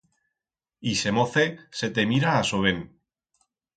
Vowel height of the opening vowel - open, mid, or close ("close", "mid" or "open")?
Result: close